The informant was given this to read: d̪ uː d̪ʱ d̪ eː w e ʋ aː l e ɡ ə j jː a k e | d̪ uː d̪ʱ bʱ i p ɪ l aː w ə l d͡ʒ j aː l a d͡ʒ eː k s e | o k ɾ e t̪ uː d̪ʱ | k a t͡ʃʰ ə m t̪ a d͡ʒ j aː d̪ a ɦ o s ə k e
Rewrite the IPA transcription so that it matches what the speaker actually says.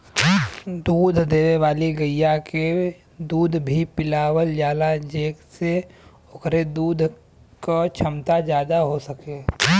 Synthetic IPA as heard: d̪ uː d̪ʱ d̪ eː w e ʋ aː l i ɡ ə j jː a k e | d̪ uː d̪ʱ bʱ i p ɪ l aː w ə l d͡ʒ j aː l a d͡ʒ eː k s e | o k ɾ e d̪ uː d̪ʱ | k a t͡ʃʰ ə m t̪ a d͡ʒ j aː d̪ a ɦ o s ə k e

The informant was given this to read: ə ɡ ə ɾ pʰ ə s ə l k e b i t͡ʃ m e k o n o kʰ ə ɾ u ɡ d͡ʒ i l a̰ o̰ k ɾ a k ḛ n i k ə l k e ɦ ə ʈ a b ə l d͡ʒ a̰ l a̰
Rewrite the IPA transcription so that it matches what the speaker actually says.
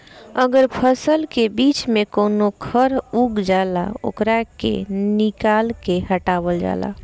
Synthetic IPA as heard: ə ɡ ə ɾ pʰ ə s ə l k e b i t͡ʃ m e k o n o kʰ ə ɾ u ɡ d͡ʒ a l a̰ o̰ k ɾ a k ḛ n i k a l k e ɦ ə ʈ a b ə l d͡ʒ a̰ l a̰

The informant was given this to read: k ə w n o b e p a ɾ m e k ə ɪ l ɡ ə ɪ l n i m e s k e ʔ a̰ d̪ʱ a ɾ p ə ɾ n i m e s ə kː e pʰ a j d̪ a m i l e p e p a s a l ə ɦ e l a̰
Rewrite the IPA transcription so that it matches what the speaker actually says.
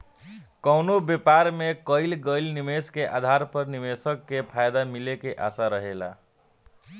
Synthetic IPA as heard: k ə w n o b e p a ɾ m e k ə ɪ l ɡ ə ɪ l n i m e s k e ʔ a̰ d̪ʱ a ɾ p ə ɾ n i m e s ə kː e pʰ a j d̪ a m i l e k e ʔ a s a ɾ ə ɦ e l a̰

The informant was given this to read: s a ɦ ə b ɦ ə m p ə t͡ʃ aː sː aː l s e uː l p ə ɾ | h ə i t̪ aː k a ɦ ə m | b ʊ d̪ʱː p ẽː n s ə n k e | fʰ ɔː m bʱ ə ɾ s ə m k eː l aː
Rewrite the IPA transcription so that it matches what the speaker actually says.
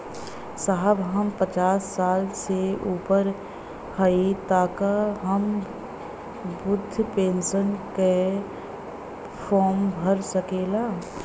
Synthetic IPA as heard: s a ɦ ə b ɦ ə m p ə t͡ʃ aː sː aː l s e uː p ə ɾ | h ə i t̪ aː k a ɦ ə m | b ʊ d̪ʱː p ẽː n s ə n k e | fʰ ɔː m bʱ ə ɾ s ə k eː l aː

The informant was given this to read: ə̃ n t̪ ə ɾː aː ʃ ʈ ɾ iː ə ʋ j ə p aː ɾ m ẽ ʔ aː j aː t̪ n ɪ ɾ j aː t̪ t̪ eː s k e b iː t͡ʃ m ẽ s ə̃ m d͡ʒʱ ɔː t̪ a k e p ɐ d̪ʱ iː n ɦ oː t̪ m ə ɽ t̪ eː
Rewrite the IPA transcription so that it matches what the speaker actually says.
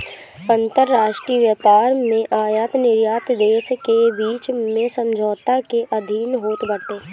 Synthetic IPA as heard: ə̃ n t̪ ə ɾː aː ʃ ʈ ɾ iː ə ʋ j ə p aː ɾ m ẽ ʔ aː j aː t̪ n ɪ ɾ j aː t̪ d̪ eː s k e b iː t͡ʃ m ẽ s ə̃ m d͡ʒʱ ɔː t̪ a k e ʔ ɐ d̪ʱ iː n ɦ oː t̪ b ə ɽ t̪ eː

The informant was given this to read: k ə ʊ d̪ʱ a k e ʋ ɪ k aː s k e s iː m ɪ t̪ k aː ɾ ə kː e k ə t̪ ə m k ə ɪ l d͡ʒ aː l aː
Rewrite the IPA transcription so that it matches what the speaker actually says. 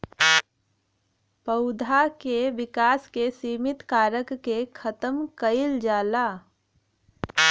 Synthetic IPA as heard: p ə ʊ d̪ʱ a k e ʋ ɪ k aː s k e s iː m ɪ t̪ k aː ɾ ə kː e kʰ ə t̪ ə m k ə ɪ l d͡ʒ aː l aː

